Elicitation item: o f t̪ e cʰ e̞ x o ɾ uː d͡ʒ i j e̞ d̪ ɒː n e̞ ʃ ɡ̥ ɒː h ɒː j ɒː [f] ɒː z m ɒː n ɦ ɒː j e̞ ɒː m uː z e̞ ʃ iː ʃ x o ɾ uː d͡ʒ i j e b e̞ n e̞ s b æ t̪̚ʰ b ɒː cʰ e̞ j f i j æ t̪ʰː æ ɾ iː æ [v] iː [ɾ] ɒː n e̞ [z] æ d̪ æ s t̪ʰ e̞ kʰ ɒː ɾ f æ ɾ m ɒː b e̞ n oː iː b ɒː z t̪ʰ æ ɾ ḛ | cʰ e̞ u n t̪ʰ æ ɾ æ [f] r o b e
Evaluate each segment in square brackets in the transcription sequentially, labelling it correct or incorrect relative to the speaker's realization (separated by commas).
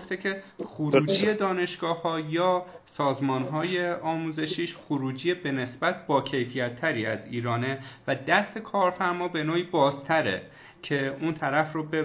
incorrect, incorrect, correct, incorrect, correct